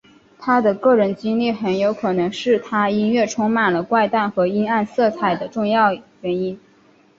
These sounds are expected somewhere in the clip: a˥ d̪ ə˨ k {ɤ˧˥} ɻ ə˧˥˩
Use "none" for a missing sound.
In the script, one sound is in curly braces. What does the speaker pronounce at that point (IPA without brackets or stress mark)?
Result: ɤ˥˩